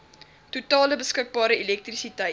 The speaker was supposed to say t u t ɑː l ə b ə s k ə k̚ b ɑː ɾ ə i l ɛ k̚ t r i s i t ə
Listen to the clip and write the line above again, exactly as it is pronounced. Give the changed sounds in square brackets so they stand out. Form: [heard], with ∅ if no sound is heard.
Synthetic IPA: t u t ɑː l ə b ə s k ə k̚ b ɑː ɾ ə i l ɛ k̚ t r i s i t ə